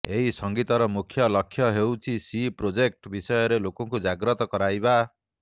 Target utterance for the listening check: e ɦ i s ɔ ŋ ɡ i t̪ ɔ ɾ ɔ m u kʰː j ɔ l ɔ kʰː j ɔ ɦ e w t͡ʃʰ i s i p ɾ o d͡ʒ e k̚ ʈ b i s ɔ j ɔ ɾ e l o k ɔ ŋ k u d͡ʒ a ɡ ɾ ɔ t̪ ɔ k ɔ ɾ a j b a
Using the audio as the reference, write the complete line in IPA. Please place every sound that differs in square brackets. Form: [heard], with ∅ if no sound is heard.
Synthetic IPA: e ɦ i s ɔ ŋ ɡ i t̪ ɔ ɾ ɔ m u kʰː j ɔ l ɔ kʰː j ɔ ɦ e w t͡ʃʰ i s i p ɾ o d͡ʒ e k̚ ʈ b i s ɔ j ɔ ɾ e l o k ɔ ŋ k u d͡ʒ a ɡ ɾ ɔ t̪ ɔ k ɔ ɾ a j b a